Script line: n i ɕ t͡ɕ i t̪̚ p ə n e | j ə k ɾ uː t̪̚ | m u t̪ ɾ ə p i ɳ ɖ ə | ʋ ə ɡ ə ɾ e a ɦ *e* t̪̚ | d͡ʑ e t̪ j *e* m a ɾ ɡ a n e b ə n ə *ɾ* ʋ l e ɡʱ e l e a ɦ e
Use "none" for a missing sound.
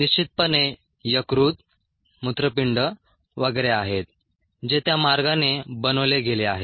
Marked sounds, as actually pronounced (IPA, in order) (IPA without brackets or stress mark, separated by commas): e, a, none